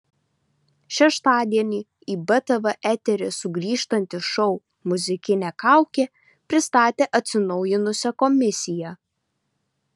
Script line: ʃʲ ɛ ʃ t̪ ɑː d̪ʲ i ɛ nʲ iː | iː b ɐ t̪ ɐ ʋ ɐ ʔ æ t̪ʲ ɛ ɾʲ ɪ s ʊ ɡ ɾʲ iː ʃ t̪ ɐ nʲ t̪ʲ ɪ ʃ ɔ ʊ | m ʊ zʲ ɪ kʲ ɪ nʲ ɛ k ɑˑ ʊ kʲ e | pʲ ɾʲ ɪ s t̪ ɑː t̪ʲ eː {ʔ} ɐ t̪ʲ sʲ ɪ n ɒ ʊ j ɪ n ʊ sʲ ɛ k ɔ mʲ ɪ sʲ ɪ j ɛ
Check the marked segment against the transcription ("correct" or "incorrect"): correct